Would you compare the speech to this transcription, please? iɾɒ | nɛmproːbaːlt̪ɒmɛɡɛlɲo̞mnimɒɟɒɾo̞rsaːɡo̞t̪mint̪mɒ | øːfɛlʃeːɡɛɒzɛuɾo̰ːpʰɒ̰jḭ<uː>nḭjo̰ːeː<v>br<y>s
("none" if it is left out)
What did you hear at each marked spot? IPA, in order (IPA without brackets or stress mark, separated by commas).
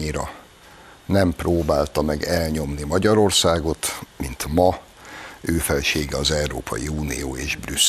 uː, ʒ, y